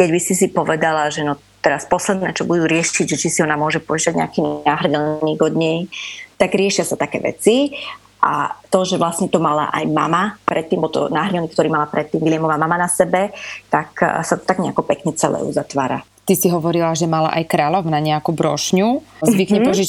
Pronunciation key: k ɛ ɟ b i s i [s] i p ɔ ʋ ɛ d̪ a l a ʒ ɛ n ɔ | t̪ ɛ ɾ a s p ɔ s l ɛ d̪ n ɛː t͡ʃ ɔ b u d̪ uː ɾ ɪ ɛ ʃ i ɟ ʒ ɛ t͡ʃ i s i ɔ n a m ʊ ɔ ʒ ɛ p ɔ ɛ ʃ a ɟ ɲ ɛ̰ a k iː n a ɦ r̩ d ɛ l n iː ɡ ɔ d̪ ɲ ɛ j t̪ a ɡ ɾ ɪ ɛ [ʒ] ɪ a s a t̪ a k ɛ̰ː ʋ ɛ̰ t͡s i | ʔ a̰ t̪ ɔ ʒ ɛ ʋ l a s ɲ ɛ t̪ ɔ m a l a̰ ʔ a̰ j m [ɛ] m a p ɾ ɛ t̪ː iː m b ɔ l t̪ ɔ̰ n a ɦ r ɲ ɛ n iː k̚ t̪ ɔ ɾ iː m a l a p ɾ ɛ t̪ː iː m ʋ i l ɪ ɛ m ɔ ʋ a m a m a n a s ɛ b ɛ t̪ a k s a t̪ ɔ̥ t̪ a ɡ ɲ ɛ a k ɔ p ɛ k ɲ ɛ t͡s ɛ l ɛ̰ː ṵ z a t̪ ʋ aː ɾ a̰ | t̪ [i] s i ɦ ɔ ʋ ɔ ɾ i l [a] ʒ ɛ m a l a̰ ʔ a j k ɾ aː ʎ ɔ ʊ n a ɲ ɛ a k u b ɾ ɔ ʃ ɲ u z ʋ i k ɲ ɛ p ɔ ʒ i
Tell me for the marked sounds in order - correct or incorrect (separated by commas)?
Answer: correct, incorrect, incorrect, correct, correct